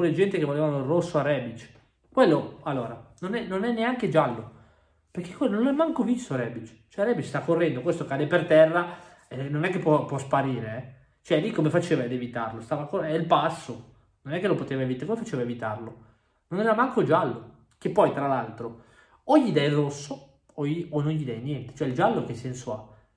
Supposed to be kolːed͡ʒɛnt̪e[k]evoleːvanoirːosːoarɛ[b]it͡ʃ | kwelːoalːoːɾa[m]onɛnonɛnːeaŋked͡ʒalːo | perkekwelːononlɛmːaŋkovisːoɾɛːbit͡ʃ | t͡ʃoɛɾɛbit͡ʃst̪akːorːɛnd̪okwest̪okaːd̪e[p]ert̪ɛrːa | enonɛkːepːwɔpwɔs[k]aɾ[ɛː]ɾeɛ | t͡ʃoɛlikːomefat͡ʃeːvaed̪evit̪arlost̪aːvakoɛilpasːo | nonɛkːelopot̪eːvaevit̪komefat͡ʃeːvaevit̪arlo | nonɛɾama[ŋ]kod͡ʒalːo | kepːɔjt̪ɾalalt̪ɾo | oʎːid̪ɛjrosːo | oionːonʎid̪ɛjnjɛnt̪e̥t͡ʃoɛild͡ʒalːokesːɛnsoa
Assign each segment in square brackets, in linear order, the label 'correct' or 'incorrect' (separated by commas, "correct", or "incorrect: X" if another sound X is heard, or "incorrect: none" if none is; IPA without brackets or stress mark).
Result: correct, correct, incorrect: n, correct, incorrect: p, incorrect: iː, correct